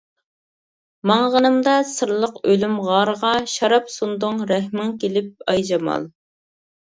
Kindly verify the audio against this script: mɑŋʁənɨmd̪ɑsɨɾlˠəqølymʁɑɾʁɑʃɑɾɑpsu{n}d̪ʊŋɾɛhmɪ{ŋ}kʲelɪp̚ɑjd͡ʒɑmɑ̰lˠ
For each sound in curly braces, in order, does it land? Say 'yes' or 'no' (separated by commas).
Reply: yes, yes